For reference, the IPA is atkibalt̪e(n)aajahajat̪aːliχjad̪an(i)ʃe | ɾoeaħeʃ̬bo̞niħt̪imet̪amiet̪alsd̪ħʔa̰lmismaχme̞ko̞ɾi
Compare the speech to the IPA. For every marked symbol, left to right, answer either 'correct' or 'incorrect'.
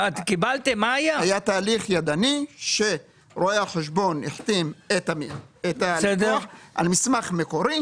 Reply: incorrect, correct

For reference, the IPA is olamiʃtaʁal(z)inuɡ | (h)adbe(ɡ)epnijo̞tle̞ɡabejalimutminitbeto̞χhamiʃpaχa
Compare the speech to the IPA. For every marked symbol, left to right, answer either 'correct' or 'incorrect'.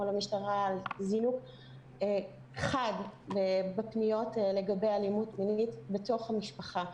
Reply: correct, incorrect, incorrect

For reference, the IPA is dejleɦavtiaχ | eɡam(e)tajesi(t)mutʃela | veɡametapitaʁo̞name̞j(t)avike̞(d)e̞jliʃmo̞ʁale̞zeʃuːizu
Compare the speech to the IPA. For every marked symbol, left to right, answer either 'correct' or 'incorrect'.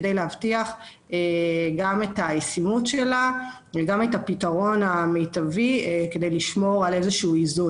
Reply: correct, incorrect, correct, correct

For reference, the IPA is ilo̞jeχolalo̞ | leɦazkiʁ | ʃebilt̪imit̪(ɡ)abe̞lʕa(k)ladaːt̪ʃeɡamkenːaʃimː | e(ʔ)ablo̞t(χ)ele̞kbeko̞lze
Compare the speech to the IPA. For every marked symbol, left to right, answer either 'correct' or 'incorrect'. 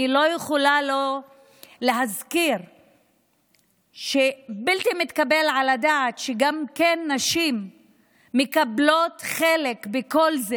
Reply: incorrect, incorrect, incorrect, correct

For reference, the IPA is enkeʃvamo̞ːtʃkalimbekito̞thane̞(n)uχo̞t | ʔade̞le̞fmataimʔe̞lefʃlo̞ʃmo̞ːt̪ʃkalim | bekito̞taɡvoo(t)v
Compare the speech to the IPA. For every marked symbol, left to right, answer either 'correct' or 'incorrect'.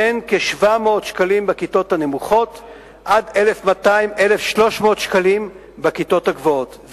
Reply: incorrect, correct

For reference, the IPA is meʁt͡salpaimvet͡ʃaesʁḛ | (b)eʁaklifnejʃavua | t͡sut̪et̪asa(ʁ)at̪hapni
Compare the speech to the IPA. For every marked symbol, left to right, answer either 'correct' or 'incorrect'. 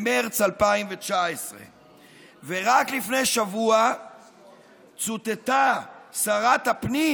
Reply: incorrect, correct

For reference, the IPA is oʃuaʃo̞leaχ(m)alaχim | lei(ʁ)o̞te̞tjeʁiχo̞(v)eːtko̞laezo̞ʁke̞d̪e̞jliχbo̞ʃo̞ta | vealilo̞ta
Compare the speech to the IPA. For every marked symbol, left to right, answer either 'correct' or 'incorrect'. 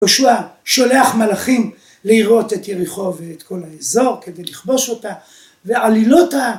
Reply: correct, correct, correct

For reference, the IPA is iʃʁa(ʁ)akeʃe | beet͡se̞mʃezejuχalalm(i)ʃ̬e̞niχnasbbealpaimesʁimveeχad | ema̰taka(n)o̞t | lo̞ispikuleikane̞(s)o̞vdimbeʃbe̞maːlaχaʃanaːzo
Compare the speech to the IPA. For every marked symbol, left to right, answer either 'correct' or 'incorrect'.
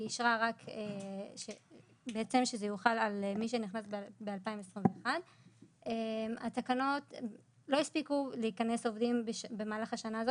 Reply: correct, correct, correct, correct

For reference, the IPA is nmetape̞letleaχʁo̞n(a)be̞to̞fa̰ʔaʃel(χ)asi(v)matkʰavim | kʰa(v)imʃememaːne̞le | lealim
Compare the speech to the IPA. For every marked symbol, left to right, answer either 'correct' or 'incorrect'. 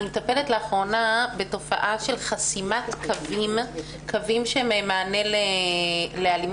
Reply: correct, correct, incorrect, correct

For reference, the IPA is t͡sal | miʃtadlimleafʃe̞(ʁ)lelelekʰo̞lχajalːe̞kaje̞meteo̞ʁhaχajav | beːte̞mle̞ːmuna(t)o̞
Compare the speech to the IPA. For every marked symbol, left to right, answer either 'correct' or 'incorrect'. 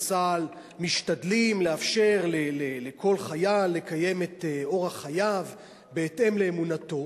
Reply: correct, correct

